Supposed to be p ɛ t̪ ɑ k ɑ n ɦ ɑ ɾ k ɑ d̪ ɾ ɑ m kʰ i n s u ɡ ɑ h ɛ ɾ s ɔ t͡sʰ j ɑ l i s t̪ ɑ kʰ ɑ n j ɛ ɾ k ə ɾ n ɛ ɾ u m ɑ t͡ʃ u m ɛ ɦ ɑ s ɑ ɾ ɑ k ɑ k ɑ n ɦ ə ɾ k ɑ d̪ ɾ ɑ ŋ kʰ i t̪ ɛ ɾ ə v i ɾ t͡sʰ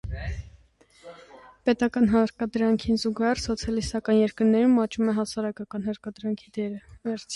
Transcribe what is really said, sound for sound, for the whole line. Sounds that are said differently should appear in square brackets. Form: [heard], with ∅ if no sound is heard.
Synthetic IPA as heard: p ɛ t̪ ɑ k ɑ n ɦ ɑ ɾ k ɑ d̪ ɾ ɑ [ŋ] kʰ i n [z] u ɡ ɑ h ɛ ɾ s ɔ t͡sʰ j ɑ l i s t̪ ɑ [k] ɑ n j ɛ ɾ k ə ɾ n ɛ ɾ u m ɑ t͡ʃ u m ɛ ɦ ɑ s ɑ ɾ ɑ k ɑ k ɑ n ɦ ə ɾ k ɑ d̪ ɾ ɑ ŋ kʰ i [d̪] ɛ ɾ ə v [ɛ] ɾ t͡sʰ